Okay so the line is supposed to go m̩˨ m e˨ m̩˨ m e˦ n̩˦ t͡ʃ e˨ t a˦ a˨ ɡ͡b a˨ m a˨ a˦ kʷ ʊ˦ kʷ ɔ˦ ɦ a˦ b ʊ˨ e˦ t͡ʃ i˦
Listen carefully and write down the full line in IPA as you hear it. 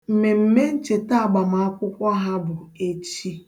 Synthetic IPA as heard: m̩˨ m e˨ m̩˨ m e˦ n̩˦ t͡ʃ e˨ t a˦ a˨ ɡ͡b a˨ m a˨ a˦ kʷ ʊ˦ kʷ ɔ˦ ɦ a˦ b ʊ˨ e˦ t͡ʃ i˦